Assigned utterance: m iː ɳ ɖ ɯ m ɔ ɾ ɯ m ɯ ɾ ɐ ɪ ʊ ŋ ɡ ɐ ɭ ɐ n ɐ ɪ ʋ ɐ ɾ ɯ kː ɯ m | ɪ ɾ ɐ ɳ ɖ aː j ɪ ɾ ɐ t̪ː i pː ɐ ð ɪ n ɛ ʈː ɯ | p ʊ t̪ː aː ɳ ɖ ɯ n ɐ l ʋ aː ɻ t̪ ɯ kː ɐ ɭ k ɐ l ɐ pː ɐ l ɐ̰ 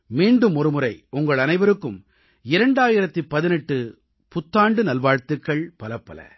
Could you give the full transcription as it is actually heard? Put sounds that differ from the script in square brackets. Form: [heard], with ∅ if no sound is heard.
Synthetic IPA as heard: m iː ɳ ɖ ɯ m ɔ ɾ ɯ m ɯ ɾ ɐ ɪ ʊ ŋ ɡ ɐ ɭ ɐ n ɐ ɪ ʋ ɐ ɾ ɯ kː ɯ m | ɪ ɾ ɐ ɳ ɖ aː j ɪ ɾ ɐ t̪ː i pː ɐ ð ɪ n ɛ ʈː ɯ | p ʊ t̪ː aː ɳ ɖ ɯ n ɐ l ʋ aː ɻ t̪ ɯ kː ɐ ɭ [p] ɐ l ɐ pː ɐ l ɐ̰